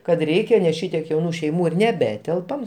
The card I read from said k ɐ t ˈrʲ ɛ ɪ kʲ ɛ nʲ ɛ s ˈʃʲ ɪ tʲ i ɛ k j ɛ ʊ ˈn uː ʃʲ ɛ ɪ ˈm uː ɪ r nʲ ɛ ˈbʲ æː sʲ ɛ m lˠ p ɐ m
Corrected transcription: k ɐ t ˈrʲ ɛ ɪ kʲ ɛ nʲ ɛ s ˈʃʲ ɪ tʲ i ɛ k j ɛ ʊ ˈn uː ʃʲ ɛ ɪ ˈm uː ɪ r nʲ ɛ ˈbʲ æː tʲ ɛ lˠ p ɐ m